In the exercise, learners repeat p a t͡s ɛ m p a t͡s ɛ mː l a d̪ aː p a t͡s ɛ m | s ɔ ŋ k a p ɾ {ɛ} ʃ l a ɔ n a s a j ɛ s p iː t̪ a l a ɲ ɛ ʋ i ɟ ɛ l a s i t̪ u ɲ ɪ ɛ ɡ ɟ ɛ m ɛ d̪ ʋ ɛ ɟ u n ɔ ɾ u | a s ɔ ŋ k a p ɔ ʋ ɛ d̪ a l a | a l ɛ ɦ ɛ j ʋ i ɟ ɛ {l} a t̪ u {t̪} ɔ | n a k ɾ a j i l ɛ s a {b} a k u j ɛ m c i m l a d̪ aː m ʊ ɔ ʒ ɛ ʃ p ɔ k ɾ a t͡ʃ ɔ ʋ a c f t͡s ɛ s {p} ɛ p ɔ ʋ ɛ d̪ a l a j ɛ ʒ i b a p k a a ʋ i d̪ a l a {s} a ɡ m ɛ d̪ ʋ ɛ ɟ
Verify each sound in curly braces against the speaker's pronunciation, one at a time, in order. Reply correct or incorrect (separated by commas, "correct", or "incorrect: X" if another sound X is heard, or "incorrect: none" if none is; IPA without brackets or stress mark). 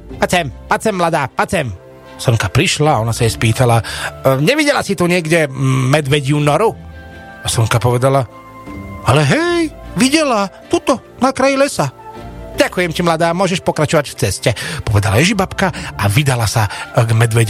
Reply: incorrect: i, correct, correct, incorrect: ɟ, incorrect: c, correct